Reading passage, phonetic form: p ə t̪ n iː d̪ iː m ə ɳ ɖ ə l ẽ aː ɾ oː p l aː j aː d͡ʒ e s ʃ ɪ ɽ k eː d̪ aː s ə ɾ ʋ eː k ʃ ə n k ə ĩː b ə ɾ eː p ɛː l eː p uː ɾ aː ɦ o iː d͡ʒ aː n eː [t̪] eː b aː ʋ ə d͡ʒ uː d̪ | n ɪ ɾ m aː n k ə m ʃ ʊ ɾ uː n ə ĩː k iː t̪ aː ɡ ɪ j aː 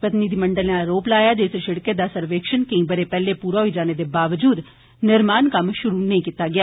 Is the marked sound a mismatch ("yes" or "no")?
yes